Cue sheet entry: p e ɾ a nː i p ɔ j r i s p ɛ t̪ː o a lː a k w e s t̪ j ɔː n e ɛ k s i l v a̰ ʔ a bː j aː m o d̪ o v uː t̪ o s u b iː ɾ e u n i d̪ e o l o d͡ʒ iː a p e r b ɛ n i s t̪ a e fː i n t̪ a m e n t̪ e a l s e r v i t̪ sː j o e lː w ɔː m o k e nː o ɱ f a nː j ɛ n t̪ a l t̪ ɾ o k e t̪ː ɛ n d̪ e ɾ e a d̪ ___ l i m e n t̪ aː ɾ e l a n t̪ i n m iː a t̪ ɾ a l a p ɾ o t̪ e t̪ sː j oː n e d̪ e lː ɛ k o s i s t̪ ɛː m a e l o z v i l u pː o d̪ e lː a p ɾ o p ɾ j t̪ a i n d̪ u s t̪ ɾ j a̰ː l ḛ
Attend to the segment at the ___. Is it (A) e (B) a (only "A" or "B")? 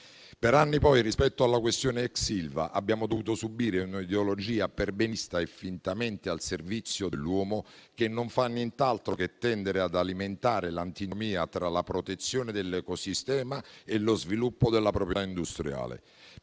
B